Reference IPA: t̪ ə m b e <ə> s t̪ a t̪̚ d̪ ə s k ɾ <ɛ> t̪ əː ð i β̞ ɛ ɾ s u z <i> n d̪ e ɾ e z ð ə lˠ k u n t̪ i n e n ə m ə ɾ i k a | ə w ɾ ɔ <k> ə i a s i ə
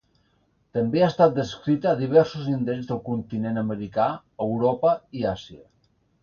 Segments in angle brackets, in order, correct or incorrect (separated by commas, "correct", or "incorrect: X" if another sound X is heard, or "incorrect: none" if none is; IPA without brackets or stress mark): incorrect: a, incorrect: i, correct, incorrect: p